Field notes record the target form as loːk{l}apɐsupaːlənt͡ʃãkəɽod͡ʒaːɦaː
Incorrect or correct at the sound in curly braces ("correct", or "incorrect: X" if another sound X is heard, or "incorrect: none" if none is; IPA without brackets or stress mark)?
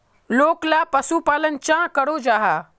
correct